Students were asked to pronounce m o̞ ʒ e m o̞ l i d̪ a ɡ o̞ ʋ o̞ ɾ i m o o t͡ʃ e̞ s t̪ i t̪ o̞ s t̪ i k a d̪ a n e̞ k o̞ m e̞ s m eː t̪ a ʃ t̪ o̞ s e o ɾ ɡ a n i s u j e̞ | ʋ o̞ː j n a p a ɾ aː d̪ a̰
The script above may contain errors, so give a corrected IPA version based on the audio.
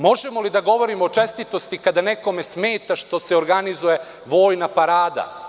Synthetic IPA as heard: m o̞ ʒ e m o̞ l i d̪ a ɡ o̞ ʋ o̞ ɾ i m o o t͡ʃ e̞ s t̪ i t̪ o̞ s t̪ i k a d̪ a n e̞ k o̞ m e̞ s m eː t̪ a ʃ t̪ o̞ s e o ɾ ɡ a n i z u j e̞ | ʋ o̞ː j n a p a ɾ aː d̪ a̰